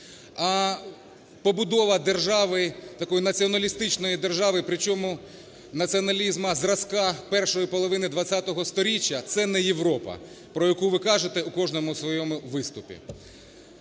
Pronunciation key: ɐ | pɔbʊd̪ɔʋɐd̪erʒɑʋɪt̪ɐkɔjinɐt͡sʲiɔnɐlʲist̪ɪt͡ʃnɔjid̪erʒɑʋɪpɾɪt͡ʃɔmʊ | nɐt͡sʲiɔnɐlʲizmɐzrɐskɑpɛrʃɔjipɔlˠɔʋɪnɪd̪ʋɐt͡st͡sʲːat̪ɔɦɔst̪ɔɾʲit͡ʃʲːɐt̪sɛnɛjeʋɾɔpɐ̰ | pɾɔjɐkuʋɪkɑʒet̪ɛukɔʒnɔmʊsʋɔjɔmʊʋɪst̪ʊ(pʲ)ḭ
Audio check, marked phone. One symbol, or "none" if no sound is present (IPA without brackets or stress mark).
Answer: pʲ